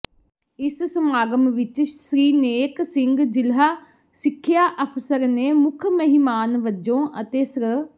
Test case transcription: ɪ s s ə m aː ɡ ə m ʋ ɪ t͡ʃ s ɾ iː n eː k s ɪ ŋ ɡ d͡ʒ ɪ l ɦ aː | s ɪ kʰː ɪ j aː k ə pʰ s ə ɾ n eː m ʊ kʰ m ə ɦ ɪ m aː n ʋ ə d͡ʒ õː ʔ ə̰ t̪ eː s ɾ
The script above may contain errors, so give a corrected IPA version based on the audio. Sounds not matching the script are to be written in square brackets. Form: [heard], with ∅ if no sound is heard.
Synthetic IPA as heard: ɪ s s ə m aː ɡ ə m ʋ ɪ t͡ʃ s ɾ iː n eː k s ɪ ŋ ɡ d͡ʒ ɪ l ɦ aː | s ɪ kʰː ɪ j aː [ʔ] ə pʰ s ə ɾ n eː m ʊ kʰ m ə ɦ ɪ m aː n ʋ ə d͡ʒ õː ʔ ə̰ t̪ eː s ɾ